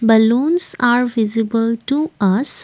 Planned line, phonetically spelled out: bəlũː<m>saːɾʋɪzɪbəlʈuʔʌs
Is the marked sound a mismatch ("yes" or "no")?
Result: yes